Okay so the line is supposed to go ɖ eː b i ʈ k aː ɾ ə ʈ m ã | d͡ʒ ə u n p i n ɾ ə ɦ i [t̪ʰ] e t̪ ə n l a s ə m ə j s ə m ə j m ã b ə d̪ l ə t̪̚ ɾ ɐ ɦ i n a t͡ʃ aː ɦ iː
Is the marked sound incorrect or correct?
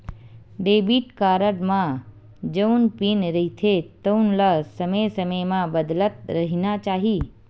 correct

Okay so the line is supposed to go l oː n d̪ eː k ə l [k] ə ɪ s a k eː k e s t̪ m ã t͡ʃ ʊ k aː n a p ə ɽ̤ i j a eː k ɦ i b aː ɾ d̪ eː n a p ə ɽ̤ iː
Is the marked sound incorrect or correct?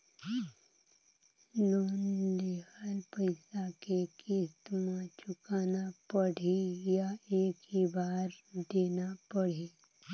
incorrect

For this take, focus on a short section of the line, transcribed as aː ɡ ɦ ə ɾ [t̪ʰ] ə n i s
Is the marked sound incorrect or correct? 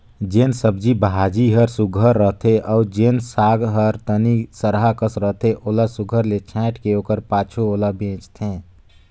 incorrect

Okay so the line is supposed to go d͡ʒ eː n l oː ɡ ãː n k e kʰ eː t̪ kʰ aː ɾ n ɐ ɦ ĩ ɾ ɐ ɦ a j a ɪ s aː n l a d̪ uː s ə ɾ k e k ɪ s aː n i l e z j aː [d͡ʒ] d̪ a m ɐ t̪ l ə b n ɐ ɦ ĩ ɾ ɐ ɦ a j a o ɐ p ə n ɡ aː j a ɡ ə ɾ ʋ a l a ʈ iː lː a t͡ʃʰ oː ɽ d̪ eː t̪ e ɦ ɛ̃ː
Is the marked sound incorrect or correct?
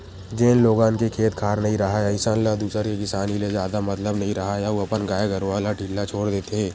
incorrect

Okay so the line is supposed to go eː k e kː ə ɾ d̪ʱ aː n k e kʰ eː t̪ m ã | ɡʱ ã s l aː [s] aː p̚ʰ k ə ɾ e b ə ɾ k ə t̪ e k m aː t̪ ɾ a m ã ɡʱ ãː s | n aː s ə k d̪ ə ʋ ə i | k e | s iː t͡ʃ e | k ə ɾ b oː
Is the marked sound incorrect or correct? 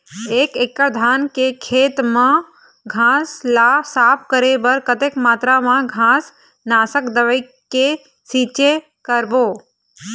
correct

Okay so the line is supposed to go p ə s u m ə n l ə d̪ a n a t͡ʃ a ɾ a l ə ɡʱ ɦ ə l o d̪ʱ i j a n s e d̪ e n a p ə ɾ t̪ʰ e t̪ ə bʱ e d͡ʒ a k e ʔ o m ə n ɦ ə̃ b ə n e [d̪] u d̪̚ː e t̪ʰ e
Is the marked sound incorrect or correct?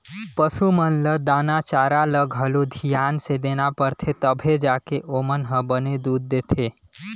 correct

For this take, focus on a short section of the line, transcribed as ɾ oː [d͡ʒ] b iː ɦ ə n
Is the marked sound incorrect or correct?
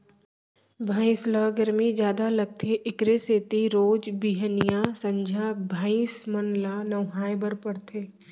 correct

